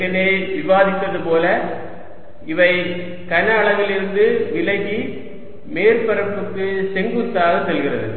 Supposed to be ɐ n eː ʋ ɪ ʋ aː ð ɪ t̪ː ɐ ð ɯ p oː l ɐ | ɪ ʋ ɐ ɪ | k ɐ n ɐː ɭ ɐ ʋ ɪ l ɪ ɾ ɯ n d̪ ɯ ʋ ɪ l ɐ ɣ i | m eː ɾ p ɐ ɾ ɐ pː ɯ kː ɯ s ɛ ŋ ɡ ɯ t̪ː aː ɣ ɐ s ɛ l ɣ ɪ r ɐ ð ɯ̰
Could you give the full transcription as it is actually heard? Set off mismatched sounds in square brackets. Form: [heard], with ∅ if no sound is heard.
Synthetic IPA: ɐ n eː ʋ ɪ ʋ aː ð ɪ t̪ː ɐ ð ɯ p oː l ɐ | ɪ ʋ ɐ ɪ | k ɐ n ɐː ɭ ɐ ʋ ɪ l ɪ ɾ ɯ n d̪ ɯ ʋ ɪ l ɐ ɣ i | m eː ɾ p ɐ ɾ ɐ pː ɯ kː ɯ s ɛ ŋ ɡ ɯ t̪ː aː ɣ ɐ s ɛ l ɣ ɪ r ɐ ð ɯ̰

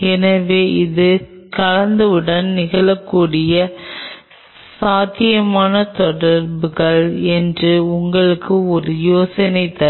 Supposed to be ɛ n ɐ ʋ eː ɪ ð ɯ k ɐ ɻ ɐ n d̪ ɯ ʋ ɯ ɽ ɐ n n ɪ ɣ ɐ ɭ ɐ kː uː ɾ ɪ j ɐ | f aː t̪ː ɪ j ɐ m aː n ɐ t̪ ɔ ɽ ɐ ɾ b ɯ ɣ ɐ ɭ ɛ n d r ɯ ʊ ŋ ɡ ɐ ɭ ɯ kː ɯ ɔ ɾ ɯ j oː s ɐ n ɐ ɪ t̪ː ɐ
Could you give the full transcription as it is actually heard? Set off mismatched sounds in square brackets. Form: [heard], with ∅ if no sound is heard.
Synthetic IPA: ɛ n ɐ ʋ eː ɪ ð ɯ k ɐ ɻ ɐ n d̪ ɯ ʋ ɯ ɽ ɐ n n ɪ ɣ ɐ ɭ ɐ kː uː [ɽ] ɪ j ɐ | [s] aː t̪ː ɪ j ɐ m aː n ɐ t̪ ɔ ɽ ɐ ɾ b ɯ ɣ ɐ ɭ ɛ n d r ɯ ʊ ŋ ɡ ɐ ɭ ɯ kː ɯ ɔ ɾ ɯ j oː s ɐ n ɐ ɪ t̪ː ɐ

